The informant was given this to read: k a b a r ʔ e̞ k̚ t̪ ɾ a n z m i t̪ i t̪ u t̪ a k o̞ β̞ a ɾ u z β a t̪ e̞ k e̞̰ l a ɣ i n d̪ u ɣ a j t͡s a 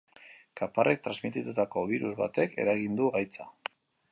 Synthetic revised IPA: k a p a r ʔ e̞ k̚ t̪ ɾ a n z m i t̪ i t̪ u t̪ a k o̞ β̞ i ɾ u z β a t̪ e̞ k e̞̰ ɾ a ɣ i n d̪ u ɣ a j t͡s a